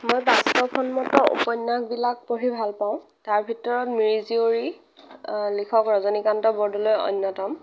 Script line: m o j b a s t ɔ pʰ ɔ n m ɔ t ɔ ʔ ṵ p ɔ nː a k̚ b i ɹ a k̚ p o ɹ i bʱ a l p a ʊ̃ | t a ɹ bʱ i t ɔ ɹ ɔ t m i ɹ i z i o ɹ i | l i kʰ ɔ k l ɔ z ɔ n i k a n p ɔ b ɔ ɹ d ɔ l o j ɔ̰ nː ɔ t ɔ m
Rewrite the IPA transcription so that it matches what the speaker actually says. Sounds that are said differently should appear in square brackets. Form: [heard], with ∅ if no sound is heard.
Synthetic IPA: m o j b a s t ɔ pʰ ɔ n m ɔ t ɔ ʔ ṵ p ɔ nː a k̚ b i [l] a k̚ p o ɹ i bʱ a l p a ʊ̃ | t a ɹ bʱ i t ɔ ɹ ɔ t m i ɹ i z i o ɹ i | l i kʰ ɔ k [ɹ] ɔ z ɔ n i k a n [t] ɔ b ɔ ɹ d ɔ l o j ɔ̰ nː ɔ t ɔ m